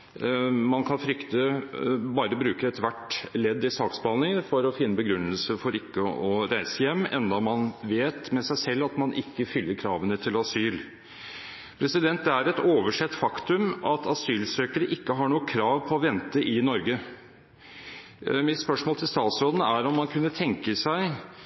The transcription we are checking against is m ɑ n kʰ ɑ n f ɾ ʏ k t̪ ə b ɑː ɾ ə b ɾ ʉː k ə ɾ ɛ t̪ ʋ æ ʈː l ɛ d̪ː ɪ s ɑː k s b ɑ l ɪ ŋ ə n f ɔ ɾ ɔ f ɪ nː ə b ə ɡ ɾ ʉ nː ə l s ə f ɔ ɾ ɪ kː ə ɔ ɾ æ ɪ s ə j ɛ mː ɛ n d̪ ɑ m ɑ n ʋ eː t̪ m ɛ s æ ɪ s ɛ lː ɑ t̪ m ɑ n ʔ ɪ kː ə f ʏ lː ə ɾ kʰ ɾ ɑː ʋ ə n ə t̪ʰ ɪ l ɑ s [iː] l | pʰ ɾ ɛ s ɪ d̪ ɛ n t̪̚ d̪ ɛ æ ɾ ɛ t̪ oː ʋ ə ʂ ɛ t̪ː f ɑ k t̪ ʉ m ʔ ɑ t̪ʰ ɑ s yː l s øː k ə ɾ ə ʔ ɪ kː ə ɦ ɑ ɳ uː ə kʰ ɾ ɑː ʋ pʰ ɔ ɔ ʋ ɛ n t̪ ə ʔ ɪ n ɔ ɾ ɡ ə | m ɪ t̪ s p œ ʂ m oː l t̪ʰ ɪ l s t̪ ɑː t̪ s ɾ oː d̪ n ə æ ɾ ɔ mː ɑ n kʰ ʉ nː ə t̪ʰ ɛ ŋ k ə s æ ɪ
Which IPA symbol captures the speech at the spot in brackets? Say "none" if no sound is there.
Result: yː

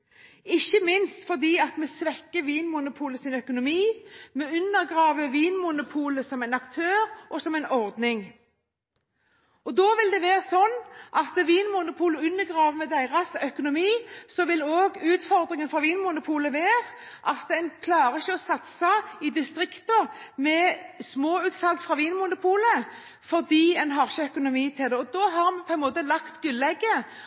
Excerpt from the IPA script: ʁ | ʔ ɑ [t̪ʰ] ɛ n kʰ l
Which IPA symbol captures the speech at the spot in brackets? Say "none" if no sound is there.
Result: t̪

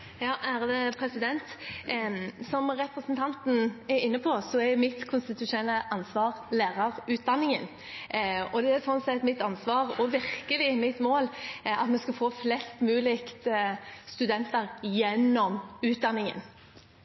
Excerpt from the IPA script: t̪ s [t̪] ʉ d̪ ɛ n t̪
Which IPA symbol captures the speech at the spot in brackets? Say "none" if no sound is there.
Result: t̪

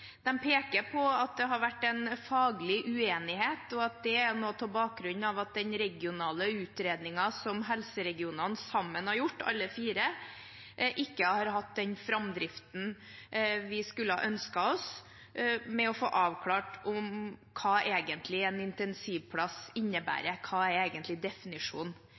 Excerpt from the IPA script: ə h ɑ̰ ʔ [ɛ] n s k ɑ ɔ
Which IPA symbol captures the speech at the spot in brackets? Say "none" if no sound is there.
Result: œ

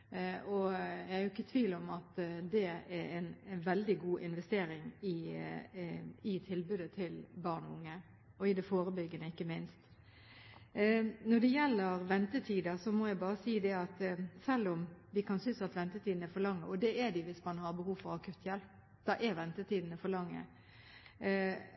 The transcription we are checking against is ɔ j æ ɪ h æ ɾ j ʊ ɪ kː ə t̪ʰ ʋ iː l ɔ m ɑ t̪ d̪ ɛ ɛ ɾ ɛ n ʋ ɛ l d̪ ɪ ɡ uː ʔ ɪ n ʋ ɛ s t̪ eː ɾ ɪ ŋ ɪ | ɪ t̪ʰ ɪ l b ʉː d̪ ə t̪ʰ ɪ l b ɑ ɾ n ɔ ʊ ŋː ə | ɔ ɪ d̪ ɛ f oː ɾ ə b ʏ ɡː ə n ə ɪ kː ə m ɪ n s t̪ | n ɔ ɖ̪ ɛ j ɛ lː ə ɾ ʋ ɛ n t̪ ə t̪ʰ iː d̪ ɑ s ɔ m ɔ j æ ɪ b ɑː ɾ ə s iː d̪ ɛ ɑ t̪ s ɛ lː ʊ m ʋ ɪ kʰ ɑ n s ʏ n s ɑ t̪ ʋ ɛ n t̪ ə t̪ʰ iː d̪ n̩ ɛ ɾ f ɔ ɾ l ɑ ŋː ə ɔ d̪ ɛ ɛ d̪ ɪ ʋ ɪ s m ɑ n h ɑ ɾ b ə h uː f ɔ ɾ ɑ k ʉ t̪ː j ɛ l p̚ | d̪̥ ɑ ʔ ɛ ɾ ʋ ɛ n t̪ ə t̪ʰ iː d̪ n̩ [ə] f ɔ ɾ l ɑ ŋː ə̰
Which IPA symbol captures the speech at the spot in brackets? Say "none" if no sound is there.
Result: ə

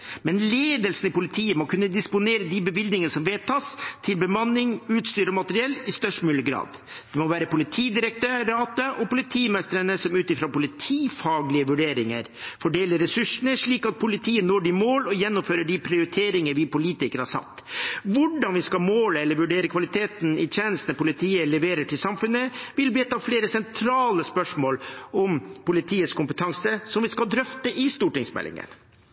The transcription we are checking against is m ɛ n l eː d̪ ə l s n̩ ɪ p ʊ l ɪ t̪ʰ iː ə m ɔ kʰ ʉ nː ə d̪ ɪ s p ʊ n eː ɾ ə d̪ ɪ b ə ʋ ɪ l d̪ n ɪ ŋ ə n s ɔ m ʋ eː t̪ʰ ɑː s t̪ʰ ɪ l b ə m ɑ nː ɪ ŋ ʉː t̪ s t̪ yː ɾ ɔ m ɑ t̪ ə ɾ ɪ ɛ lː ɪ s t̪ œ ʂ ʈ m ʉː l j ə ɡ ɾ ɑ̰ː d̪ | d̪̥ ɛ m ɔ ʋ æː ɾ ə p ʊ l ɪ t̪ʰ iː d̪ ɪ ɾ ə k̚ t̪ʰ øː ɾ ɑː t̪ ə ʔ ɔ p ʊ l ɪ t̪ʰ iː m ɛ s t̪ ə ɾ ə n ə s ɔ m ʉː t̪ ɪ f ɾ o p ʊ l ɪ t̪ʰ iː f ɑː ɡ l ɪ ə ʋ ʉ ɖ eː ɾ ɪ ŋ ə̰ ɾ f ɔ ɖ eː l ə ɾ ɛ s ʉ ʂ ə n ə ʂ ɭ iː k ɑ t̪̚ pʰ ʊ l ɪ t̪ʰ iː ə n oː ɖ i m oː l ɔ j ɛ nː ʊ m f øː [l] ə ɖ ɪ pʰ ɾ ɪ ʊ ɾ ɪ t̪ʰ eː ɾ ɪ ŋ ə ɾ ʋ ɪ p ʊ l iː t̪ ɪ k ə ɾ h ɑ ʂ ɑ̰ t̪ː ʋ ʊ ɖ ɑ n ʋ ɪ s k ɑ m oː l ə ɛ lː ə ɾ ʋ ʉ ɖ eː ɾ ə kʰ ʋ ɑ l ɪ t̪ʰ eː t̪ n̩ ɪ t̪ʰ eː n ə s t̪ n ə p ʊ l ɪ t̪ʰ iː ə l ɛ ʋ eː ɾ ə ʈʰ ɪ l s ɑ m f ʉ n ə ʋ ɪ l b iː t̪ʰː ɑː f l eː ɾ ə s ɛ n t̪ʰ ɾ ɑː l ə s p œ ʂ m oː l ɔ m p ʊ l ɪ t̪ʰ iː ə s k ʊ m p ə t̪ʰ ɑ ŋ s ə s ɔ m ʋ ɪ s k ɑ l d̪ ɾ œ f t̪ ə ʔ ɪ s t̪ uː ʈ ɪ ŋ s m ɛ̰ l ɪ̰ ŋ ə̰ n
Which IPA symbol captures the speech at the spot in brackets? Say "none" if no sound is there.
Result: ɾ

